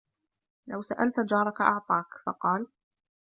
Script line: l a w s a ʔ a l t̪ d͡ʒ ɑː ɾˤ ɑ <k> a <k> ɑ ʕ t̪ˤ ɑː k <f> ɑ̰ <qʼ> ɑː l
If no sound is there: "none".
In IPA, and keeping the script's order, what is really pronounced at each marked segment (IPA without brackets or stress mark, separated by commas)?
k, ʔ, f, q